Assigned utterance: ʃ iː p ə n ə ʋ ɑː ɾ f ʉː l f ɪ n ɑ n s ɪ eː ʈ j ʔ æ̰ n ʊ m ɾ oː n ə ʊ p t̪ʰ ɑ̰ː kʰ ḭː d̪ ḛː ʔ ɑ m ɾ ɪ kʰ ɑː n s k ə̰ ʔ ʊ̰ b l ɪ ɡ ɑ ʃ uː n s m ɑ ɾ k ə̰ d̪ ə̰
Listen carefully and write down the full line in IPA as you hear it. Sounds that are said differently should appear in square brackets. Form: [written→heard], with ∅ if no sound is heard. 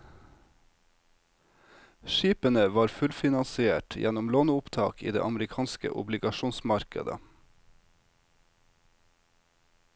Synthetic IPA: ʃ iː p ə n ə ʋ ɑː ɾ f [ʉː→ʉ] l f ɪ n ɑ n s ɪ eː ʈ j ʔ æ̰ n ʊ m [ɾ→l] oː n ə ʊ p t̪ʰ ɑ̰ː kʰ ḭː d̪ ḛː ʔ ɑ m ɾ ɪ kʰ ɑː n s k ə̰ ʔ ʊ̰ b l ɪ ɡ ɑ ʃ uː n s m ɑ ɾ k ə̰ d̪ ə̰